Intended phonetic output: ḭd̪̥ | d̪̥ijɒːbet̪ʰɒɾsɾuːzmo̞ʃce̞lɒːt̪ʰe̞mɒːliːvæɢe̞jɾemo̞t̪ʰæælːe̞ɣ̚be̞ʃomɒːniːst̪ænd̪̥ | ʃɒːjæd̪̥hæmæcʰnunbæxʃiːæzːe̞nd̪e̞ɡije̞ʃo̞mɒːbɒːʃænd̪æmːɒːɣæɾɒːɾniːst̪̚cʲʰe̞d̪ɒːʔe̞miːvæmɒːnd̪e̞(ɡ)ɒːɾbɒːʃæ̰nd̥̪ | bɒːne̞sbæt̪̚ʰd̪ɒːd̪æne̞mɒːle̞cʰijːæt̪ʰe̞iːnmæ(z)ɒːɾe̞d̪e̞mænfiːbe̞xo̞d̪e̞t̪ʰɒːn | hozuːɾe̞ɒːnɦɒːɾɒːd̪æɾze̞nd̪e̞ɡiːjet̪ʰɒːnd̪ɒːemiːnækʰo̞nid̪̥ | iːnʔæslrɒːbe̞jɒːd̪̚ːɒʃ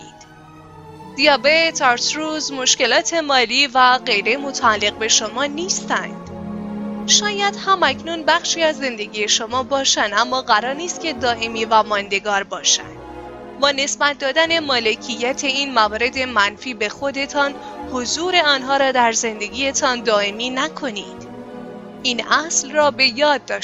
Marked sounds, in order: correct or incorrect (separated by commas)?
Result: correct, incorrect